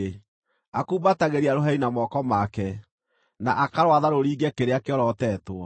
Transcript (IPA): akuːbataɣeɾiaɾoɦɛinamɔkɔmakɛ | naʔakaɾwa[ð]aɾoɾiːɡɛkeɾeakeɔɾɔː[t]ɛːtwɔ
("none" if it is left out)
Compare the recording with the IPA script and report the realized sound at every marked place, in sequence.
ð, t

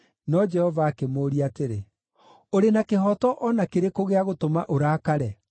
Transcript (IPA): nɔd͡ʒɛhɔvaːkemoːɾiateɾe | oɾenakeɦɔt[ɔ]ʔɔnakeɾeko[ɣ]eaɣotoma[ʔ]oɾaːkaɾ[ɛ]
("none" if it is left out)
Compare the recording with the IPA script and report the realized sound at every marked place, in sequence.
ɔ, ɣ, ʔ, ɛ

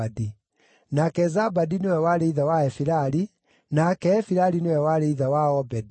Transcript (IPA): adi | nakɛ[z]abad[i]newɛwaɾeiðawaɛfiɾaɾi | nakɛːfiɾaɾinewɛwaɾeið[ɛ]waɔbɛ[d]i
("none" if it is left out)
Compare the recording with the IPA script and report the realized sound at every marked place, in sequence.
z, i, a, d

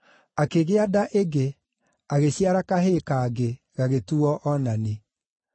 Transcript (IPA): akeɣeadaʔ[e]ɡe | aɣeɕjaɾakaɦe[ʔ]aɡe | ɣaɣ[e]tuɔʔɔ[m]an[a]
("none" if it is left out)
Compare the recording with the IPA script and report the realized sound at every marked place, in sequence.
e, k, e, n, e

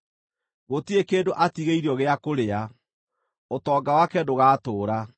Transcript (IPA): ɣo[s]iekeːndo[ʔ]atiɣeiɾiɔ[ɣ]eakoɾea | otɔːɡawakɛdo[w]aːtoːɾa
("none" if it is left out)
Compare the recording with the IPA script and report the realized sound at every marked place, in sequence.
t, ʔ, ɣ, ɣ

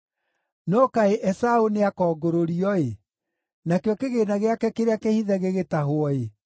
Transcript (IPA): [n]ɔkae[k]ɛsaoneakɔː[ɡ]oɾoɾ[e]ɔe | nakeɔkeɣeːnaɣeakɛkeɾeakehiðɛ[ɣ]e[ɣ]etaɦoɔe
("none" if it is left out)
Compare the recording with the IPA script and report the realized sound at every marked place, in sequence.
n, ʔ, ɡ, i, ɣ, ɣ

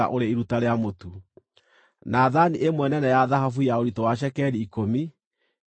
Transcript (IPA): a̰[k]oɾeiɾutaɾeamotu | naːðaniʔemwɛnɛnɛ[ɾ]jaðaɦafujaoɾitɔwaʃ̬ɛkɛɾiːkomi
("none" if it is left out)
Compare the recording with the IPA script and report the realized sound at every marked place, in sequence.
ʔ, none

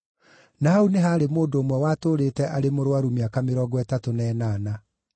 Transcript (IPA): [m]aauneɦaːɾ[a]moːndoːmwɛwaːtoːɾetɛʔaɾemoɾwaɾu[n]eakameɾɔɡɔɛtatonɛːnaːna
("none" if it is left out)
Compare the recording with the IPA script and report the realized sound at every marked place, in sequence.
n, e, m

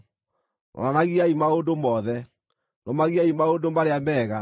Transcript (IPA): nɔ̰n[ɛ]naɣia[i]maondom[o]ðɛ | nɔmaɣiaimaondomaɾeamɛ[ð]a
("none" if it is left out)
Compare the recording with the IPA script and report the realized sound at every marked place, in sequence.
a, i, ɔ, ɣ

